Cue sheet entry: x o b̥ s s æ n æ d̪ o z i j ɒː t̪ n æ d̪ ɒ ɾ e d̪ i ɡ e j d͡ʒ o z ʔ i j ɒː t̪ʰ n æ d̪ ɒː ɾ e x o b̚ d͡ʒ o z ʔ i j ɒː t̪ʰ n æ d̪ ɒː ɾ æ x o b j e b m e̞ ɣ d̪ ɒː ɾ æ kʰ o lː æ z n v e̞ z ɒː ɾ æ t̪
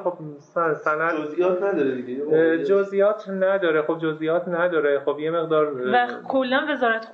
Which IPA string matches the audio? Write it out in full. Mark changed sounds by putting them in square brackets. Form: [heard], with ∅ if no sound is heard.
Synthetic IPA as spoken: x o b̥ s s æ n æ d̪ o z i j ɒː t̪ n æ d̪ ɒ ɾ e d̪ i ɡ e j d͡ʒ o z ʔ i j ɒː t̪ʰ n æ d̪ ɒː ɾ e x o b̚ d͡ʒ o z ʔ i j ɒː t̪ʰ n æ d̪ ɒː ɾ [e] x o b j e [∅] m e̞ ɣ d̪ ɒː ɾ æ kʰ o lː æ [∅] n v e̞ z ɒː ɾ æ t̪